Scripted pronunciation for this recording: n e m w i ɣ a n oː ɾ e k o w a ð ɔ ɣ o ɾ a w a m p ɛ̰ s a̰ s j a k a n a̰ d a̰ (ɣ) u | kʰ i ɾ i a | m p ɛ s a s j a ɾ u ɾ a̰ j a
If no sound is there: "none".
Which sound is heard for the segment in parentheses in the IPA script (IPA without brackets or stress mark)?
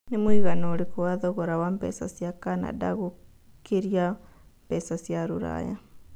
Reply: ɣ